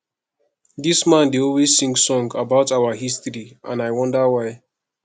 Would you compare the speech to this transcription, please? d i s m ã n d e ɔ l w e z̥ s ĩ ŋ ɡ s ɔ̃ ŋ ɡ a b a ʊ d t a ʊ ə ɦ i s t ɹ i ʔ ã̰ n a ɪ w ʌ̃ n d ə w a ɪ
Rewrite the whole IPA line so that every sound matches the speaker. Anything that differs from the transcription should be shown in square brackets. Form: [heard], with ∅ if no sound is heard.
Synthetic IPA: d i s m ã n d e ɔ l w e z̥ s ĩ ŋ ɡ s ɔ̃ ŋ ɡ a b a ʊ [∅] t a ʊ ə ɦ i s t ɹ i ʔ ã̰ n a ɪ w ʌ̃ n d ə w a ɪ